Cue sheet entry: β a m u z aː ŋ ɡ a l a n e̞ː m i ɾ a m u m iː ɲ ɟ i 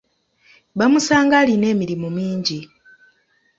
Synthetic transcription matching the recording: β a m u s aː ŋ ɡ a l i n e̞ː m i ɾ i m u m iː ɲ ɟ i